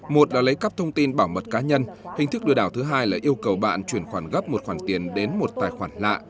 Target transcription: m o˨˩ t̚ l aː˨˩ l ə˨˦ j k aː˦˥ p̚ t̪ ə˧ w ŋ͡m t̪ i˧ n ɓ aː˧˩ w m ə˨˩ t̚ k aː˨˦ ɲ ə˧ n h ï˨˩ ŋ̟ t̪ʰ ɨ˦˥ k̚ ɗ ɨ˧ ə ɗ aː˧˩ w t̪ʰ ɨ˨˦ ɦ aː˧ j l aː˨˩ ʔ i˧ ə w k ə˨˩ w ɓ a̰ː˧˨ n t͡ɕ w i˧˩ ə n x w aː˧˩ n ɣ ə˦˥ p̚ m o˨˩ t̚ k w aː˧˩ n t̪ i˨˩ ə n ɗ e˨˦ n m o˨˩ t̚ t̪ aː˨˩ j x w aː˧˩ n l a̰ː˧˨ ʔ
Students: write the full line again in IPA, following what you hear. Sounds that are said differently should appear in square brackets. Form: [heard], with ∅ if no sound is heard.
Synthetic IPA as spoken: m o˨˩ t̚ l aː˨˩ l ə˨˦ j k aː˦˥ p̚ [t̪ʰ] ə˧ w ŋ͡m t̪ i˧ n ɓ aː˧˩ w m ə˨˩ t̚ k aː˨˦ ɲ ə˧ n h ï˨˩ ŋ̟ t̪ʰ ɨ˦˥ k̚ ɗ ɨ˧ ə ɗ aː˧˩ w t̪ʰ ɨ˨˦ ɦ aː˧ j l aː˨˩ ʔ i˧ ə w k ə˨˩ w ɓ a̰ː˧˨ n t͡ɕ w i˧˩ ə n x w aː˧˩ n ɣ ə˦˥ p̚ m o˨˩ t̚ [x] w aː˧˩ n t̪ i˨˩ ə n ɗ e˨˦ n m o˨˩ t̚ t̪ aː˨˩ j x w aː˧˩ n l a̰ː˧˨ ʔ